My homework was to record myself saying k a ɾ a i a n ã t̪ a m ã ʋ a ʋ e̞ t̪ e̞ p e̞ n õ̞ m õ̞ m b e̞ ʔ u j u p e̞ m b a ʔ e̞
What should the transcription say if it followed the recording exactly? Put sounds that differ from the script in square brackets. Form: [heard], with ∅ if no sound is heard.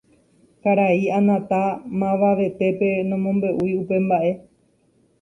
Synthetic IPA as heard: k a ɾ a i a n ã t̪ a m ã ʋ a ʋ e̞ t̪ e̞ p e̞ n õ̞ m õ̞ m b e̞ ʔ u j u p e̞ m b a ʔ e̞